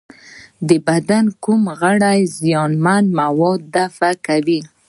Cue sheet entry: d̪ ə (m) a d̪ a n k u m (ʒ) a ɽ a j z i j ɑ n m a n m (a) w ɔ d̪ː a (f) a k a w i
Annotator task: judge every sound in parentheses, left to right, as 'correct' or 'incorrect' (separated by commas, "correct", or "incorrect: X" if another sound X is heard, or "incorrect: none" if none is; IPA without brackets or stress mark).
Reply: incorrect: b, incorrect: ɣ, correct, correct